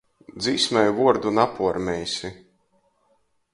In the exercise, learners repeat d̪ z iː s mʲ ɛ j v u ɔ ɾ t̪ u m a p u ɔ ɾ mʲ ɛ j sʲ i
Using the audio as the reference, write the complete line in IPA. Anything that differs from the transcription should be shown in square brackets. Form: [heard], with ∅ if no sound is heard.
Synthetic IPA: d̪ z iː s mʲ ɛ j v u ɔ ɾ [d̪] u [n] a p u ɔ ɾ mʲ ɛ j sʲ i